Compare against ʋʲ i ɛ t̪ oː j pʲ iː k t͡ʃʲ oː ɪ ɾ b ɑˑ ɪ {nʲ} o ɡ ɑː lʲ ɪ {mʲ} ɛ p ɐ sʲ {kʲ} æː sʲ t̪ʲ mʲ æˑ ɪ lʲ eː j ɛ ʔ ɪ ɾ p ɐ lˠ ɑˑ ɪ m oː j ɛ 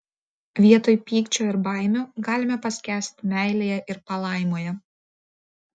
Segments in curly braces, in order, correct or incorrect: incorrect: mʲ, correct, correct

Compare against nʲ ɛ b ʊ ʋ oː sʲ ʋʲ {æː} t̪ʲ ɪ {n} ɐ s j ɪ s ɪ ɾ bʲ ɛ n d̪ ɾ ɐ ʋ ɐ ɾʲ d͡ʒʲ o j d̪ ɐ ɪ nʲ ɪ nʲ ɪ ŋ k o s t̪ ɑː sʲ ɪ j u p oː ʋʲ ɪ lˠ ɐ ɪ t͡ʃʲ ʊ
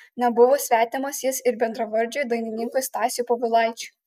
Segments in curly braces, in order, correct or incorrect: correct, incorrect: m

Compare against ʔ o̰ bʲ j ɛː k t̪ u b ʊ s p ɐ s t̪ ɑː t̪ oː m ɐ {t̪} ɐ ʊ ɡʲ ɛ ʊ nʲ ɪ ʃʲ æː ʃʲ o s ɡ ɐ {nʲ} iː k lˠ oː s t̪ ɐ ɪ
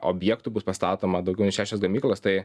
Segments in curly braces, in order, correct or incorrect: incorrect: d̪, incorrect: mʲ

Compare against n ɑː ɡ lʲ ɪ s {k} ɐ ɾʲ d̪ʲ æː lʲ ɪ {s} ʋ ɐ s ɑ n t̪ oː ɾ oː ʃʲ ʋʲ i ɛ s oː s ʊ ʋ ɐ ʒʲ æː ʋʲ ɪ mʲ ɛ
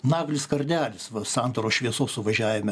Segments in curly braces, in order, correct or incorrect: correct, correct

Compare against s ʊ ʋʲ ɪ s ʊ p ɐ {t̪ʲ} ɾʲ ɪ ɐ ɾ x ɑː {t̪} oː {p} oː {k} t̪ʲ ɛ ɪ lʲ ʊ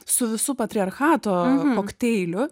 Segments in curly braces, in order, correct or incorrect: correct, correct, incorrect: k, correct

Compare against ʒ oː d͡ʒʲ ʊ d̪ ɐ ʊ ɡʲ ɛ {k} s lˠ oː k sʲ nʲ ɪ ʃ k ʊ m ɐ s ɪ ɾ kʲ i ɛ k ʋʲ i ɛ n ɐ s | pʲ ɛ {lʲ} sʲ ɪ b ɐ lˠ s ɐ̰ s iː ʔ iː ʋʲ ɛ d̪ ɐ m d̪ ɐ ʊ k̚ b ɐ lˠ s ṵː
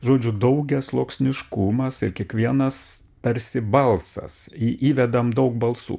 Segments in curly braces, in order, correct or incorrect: incorrect: none, incorrect: ɾʲ

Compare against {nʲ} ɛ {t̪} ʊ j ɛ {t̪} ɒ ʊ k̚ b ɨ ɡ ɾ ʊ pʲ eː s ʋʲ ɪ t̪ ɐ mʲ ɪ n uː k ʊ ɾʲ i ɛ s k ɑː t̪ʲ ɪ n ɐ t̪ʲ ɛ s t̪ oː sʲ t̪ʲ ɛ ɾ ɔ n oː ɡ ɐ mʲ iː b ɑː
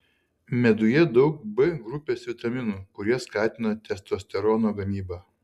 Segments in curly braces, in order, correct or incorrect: incorrect: mʲ, incorrect: d̪, incorrect: d̪

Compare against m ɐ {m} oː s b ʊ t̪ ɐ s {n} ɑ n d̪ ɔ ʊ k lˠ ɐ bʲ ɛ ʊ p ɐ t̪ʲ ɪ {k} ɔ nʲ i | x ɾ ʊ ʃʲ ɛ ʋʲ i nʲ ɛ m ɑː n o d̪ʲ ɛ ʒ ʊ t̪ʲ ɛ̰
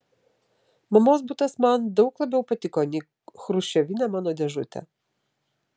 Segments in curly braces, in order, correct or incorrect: correct, incorrect: m, correct

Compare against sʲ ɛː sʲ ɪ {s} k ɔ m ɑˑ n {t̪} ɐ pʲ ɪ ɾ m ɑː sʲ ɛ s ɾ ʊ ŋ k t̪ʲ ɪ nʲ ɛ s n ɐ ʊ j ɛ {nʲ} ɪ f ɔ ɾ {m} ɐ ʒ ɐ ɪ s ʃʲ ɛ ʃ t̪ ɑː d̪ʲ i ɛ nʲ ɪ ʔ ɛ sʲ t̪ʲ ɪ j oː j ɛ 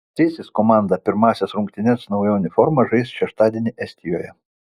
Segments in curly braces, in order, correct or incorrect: correct, incorrect: d̪, correct, correct

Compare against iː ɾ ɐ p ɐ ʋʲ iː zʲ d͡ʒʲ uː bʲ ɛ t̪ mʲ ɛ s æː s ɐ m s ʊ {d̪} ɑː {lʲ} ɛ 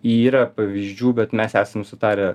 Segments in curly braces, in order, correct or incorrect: incorrect: t̪, incorrect: ɾʲ

